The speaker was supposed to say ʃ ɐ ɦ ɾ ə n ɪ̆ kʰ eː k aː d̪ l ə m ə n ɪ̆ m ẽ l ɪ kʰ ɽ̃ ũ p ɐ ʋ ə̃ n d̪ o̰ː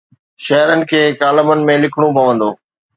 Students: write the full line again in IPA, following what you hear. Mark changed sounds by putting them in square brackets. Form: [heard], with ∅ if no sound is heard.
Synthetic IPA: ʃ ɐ ɦ ɾ ə n ɪ̆ kʰ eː k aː [∅] l ə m ə n ɪ̆ m ẽ l ɪ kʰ ɽ̃ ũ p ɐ ʋ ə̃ n d̪ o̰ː